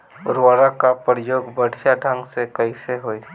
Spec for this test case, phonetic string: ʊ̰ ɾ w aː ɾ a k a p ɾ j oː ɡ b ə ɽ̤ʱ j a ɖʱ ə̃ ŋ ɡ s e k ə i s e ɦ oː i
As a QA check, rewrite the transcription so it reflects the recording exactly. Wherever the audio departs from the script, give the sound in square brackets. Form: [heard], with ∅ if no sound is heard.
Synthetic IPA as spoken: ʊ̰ ɾ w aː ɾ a k a p ɾ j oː ɡ b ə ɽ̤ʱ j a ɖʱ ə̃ ŋ ɡ s e k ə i s e ɦ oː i